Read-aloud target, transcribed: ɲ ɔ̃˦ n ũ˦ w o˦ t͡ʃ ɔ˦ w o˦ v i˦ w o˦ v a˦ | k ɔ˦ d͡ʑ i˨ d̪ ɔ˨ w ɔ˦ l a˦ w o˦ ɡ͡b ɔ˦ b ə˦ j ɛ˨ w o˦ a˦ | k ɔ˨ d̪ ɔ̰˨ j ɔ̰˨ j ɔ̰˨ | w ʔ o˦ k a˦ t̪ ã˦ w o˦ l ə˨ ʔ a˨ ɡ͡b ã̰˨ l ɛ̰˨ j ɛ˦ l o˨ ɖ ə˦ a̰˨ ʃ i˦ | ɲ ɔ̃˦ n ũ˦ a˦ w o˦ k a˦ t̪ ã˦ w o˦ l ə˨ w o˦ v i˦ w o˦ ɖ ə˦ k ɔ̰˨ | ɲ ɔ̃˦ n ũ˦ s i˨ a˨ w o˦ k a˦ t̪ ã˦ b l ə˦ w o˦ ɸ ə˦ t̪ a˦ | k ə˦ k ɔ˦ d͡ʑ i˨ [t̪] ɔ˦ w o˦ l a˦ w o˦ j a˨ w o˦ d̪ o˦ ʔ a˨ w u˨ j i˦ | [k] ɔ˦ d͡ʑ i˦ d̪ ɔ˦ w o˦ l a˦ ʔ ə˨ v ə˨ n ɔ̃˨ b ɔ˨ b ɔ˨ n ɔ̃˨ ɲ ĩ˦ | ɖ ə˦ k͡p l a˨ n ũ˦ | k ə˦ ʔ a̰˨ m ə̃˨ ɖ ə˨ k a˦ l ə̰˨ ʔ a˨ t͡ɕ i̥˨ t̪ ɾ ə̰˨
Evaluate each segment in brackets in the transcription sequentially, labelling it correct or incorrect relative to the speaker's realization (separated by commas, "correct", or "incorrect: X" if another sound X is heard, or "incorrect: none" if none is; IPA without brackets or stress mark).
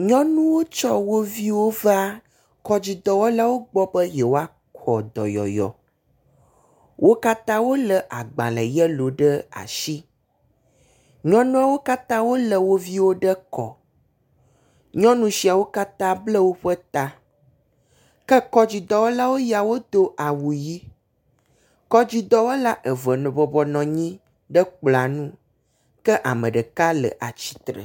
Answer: incorrect: d̪, correct